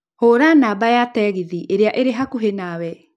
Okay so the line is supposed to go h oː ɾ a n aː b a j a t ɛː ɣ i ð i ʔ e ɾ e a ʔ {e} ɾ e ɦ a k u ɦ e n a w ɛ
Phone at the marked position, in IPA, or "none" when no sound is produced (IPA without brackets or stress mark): e